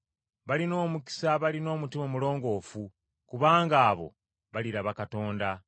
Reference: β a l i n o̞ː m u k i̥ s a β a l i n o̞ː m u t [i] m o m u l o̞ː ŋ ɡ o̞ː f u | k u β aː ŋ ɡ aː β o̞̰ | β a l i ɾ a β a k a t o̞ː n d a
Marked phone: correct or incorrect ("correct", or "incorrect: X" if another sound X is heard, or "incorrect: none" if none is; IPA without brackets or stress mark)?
correct